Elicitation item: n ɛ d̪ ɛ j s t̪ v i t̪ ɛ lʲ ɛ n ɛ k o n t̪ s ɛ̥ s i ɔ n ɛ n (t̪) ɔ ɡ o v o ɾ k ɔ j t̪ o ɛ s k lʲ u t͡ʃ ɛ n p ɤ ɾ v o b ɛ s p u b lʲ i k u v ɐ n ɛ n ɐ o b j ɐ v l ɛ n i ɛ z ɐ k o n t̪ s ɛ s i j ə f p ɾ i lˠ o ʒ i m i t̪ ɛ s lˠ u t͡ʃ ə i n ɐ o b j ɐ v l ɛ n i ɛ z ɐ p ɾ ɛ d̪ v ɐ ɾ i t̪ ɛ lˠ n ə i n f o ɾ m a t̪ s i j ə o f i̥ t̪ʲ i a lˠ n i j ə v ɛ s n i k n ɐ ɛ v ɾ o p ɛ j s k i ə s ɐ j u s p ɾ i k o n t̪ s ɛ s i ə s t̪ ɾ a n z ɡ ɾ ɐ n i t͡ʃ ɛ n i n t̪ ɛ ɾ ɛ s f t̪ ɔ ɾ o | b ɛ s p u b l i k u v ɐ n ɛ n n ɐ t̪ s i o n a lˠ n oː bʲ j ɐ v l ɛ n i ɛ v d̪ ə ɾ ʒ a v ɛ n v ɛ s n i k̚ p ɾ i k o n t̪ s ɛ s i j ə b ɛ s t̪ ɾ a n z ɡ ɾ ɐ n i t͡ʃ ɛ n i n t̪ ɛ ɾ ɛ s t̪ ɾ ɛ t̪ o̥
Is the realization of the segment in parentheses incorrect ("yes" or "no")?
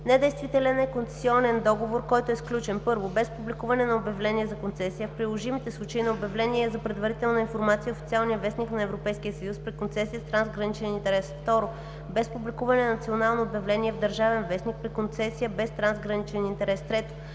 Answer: yes